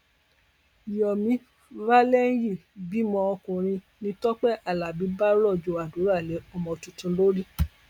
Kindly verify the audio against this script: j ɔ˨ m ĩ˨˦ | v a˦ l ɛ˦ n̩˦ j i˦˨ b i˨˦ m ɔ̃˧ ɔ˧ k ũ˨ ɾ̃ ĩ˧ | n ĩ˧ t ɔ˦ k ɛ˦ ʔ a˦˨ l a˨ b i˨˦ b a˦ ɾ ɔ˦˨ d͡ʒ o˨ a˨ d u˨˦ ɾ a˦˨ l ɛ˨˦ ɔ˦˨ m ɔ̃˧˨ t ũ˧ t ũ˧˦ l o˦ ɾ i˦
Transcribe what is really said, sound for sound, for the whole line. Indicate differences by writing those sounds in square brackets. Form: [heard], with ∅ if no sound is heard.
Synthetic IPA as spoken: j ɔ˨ m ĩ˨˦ | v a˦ l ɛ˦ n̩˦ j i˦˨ b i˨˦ m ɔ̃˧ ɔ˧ k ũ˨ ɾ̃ ĩ˧ | n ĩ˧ t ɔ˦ [k͡p] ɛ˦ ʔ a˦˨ l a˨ b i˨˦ b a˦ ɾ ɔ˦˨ d͡ʒ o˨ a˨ d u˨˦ ɾ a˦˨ l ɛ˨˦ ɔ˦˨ m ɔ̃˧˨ t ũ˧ t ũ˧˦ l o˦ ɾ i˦

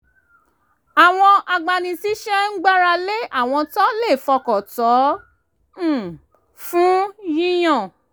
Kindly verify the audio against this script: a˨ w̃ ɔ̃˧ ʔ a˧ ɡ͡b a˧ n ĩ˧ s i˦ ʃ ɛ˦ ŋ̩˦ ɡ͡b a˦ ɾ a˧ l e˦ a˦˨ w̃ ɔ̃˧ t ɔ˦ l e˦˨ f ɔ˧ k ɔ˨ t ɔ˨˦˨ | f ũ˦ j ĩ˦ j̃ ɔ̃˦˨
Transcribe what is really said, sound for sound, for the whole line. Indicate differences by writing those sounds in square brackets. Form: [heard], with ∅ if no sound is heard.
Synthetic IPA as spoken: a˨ w̃ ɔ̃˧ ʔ a˧ ɡ͡b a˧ n ĩ˧ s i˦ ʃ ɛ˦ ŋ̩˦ ɡ͡b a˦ ɾ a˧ l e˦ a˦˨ w̃ ɔ̃˧ t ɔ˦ l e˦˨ f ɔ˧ k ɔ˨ t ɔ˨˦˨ | f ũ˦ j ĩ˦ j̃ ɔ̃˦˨

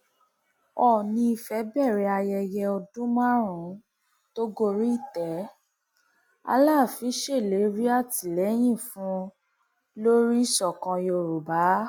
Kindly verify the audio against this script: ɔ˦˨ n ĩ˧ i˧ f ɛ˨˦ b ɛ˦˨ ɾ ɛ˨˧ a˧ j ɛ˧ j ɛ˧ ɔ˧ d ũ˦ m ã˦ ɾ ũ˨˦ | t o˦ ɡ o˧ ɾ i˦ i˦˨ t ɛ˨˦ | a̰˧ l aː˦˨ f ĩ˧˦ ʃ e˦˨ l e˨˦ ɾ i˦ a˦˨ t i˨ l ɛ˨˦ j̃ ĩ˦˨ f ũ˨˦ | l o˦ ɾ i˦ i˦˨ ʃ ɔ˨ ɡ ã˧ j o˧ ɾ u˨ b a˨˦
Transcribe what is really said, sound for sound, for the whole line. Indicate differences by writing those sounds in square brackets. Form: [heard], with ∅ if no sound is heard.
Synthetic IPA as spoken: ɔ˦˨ n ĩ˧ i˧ f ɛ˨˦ b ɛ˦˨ ɾ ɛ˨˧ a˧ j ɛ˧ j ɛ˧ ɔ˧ d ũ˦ m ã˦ ɾ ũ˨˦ | t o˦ ɡ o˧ ɾ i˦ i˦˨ t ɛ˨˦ | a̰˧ l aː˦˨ f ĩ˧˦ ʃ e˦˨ l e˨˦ ɾ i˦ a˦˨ t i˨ l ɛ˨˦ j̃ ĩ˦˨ f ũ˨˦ | l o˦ ɾ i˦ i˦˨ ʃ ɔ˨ [k] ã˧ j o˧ ɾ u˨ b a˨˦

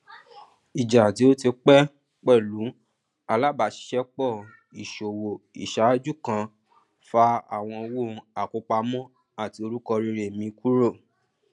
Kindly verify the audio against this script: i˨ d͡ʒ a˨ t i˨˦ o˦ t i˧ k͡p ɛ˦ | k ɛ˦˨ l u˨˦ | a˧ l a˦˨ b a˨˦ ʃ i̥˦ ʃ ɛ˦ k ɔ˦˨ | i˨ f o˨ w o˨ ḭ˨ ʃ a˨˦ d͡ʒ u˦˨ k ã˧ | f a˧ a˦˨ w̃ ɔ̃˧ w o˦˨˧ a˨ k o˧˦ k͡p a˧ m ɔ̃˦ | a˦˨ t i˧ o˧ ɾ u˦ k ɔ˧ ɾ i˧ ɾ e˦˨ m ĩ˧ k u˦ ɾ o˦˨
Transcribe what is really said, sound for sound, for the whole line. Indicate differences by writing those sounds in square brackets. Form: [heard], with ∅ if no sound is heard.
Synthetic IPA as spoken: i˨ d͡ʒ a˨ t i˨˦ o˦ t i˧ k͡p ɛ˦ | [k͡p] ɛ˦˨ l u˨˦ | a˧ l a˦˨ b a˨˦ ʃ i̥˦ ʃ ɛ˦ [k͡p] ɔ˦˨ | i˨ [ʃ] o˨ w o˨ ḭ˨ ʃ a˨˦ d͡ʒ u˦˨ k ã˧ | f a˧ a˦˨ w̃ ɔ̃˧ w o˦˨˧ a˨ k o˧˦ k͡p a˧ m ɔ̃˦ | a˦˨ t i˧ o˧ ɾ u˦ k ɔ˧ ɾ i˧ ɾ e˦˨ m ĩ˧ k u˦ ɾ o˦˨

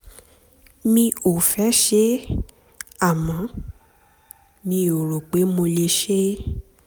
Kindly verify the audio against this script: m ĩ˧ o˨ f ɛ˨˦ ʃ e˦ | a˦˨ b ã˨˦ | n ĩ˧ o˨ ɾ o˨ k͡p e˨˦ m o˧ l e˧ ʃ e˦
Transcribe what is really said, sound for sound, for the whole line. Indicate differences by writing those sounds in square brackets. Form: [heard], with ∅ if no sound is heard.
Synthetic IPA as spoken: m ĩ˧ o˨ f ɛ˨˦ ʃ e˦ | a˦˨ [m] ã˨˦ | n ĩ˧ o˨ ɾ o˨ k͡p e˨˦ m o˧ l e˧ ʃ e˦

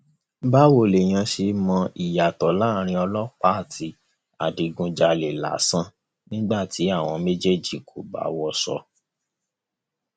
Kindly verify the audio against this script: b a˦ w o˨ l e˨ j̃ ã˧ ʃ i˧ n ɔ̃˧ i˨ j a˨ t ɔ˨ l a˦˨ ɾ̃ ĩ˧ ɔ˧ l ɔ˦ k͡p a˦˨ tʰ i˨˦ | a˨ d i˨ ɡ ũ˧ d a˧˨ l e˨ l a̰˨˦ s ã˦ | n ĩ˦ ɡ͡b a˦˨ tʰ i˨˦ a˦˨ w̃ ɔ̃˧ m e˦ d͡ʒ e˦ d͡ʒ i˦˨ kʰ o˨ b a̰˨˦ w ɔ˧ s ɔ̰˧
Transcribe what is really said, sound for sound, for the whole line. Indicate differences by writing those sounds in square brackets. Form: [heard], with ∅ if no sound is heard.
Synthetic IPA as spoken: b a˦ w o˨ l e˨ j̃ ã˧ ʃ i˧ [m] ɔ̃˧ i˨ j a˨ t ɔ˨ l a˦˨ ɾ̃ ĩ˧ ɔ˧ l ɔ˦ k͡p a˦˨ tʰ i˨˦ | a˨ d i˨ ɡ ũ˧ [d͡ʒ] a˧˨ l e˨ l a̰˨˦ s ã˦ | n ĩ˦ ɡ͡b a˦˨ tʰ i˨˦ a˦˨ w̃ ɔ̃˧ m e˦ d͡ʒ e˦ d͡ʒ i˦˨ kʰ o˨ b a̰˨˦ w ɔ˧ s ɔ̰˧

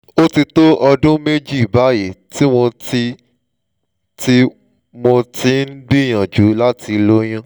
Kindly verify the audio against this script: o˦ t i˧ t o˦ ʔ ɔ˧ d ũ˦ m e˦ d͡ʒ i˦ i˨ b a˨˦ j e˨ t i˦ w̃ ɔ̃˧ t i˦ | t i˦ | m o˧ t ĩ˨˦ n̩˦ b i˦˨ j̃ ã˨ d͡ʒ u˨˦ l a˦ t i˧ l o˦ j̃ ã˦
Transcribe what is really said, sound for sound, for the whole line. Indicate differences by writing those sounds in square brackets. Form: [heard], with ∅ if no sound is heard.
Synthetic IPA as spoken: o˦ t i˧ t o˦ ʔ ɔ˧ d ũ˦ m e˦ d͡ʒ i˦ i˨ b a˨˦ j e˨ t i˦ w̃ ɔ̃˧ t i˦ | t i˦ | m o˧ t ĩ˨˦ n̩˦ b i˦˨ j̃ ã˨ d͡ʒ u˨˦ l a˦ t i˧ l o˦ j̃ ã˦

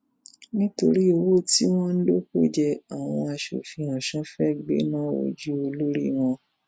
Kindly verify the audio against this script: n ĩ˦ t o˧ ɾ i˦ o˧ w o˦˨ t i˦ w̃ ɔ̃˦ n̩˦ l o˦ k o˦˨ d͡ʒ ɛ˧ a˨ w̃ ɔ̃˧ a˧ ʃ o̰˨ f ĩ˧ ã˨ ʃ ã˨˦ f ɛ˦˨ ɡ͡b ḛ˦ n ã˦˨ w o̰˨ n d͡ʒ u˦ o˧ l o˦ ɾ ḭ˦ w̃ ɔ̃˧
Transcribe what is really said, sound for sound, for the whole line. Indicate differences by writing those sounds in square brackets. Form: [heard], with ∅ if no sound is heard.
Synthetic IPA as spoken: n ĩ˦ t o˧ ɾ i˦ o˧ w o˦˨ t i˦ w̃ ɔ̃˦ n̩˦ l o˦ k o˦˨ d͡ʒ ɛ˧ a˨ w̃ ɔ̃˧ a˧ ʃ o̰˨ f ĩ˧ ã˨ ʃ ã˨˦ f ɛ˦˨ ɡ͡b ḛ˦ n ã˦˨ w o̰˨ [∅] d͡ʒ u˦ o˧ l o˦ ɾ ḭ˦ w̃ ɔ̃˧

